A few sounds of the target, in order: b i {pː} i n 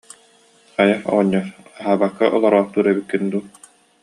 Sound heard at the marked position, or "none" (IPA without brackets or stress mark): kː